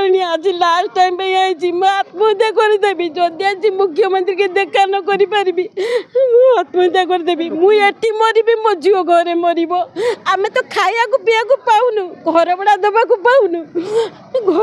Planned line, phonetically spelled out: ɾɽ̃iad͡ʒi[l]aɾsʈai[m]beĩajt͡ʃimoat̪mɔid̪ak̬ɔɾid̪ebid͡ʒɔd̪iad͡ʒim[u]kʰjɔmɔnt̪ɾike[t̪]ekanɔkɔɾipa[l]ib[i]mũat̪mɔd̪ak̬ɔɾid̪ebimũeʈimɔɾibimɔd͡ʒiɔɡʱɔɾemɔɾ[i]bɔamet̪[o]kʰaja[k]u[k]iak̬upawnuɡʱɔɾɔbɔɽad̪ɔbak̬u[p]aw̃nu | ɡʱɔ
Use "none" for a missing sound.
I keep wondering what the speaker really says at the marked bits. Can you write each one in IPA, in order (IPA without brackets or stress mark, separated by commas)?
l, m, u, d̪, ɾ, i, i, ɔ, k, p, p